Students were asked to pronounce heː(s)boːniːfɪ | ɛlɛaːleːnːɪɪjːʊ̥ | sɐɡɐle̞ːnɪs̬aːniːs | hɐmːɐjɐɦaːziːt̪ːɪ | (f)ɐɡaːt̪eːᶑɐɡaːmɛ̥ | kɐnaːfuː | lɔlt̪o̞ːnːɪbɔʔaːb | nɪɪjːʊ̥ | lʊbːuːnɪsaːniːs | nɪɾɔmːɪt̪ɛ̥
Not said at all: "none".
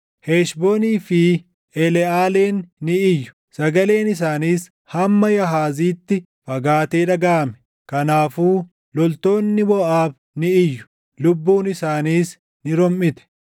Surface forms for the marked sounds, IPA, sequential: ʃ, f

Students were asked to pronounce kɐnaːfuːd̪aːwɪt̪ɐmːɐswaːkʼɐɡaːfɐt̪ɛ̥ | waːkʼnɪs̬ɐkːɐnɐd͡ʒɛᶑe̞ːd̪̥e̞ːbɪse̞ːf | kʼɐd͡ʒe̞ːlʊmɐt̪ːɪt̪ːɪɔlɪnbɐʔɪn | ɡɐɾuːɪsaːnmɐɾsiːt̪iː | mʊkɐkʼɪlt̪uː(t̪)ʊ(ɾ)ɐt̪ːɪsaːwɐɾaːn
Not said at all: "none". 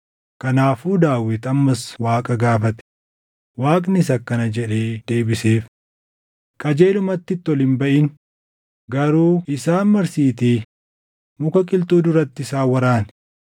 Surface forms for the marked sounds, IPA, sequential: d̪, ɾ

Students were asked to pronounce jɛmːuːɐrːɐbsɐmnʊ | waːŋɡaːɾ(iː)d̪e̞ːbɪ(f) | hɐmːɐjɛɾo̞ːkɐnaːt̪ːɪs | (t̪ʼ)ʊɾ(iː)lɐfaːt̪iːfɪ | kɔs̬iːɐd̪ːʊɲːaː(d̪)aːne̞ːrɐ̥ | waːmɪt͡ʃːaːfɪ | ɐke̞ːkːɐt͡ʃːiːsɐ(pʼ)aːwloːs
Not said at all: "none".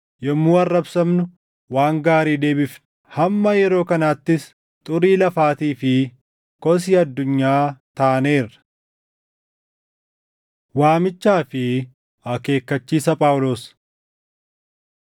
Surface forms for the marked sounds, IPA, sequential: iː, f, t̪ʼ, iː, t̪, pʼ

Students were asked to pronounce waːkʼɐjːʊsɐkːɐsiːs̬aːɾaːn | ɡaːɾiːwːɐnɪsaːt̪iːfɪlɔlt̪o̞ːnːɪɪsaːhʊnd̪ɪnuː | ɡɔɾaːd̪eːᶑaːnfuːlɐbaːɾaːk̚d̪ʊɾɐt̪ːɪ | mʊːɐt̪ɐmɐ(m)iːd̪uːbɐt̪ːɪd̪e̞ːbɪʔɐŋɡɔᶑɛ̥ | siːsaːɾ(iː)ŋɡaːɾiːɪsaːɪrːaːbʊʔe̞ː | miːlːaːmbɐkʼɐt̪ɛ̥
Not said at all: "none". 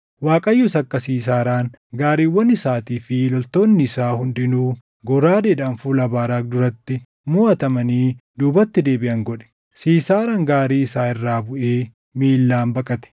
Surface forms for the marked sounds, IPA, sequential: n, aː

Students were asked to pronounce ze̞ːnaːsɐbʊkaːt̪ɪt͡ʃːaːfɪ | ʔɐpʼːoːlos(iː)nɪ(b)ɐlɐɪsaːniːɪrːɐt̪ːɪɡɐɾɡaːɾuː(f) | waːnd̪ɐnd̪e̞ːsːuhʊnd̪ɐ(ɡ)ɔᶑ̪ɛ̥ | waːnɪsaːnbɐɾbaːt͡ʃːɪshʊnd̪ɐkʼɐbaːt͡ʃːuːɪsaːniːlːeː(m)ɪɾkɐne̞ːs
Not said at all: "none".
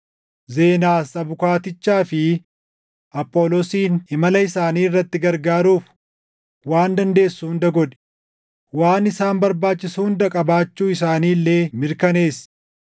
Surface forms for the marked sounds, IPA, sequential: iː, m, f, ɡ, m

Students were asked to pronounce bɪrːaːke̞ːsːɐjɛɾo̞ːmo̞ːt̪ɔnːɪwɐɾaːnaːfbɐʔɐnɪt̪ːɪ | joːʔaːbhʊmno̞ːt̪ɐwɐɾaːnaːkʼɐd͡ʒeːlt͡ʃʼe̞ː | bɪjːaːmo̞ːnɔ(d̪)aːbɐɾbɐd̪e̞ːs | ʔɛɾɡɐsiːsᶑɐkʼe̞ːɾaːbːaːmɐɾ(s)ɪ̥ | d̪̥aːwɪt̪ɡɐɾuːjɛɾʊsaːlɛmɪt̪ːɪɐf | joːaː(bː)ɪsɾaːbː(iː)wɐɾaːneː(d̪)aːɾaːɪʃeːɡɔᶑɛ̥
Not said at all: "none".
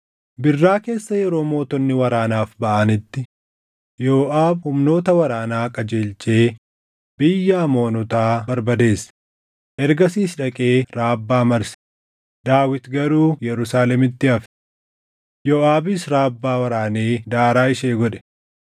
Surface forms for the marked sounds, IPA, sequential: t̪, s, b, aː, d̪

